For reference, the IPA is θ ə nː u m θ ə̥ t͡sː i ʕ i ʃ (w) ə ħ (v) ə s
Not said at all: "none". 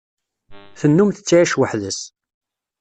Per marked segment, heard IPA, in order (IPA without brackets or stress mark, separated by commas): w, ð